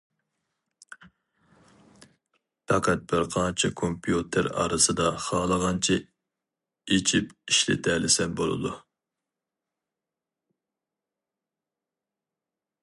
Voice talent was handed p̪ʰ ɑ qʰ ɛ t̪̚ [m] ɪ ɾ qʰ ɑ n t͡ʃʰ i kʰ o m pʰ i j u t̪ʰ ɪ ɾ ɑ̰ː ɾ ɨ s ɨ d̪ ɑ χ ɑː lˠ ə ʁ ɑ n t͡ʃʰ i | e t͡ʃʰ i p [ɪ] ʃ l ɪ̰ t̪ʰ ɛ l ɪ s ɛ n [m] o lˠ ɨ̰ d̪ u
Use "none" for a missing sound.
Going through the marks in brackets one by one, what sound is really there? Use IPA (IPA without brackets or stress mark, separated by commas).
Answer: b, i, b